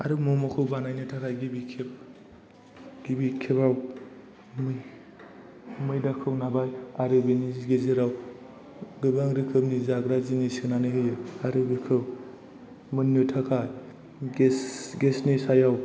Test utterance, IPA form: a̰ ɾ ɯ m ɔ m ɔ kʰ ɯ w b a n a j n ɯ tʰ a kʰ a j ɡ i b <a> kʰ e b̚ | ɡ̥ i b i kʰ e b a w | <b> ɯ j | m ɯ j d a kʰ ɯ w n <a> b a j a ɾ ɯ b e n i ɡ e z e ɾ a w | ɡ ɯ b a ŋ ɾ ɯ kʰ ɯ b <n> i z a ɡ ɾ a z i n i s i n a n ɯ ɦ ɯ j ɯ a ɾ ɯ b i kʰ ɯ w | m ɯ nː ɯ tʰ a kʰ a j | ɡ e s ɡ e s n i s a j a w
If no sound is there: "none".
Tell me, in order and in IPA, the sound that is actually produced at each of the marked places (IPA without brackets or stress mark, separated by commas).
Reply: i, m, a, n